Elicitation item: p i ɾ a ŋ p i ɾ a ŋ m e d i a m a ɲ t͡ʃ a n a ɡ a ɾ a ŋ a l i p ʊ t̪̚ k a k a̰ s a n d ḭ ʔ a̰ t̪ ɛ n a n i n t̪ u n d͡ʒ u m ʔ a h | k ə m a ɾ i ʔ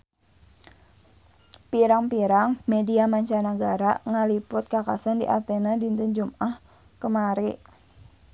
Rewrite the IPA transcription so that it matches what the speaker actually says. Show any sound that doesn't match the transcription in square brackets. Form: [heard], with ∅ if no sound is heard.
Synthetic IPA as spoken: p i ɾ a ŋ p i ɾ a ŋ m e d i a m a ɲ t͡ʃ a n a ɡ a ɾ a ŋ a l i p ʊ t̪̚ k a k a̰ s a n d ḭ ʔ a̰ t̪ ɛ n a [d] i n t̪ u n d͡ʒ u m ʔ a h | k ə m a ɾ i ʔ